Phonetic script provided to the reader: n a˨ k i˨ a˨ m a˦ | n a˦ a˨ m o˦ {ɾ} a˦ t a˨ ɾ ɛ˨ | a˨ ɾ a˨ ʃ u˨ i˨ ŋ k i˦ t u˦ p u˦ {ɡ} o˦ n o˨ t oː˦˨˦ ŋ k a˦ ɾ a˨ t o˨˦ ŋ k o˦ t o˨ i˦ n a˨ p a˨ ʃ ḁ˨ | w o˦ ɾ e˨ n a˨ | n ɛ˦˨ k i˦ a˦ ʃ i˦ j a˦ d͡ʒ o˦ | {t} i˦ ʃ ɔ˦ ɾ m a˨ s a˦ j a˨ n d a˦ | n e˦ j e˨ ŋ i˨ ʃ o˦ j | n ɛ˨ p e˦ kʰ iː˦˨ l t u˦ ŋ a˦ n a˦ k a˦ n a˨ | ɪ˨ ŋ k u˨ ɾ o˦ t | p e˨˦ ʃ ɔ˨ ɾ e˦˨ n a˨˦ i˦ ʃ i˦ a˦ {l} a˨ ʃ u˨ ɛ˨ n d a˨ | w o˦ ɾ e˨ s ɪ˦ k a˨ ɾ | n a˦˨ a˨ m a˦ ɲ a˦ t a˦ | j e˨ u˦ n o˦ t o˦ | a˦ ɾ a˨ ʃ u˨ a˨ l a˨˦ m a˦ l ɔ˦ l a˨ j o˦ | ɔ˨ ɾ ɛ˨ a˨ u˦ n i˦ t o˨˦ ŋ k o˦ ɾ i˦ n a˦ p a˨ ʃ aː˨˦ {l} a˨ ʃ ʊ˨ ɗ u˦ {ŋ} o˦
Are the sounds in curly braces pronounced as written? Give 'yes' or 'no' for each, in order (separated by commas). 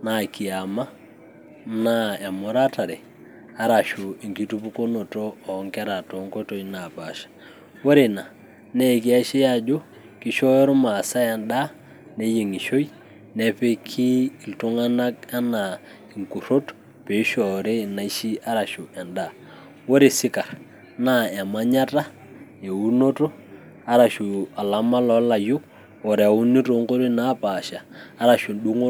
yes, no, no, no, no, yes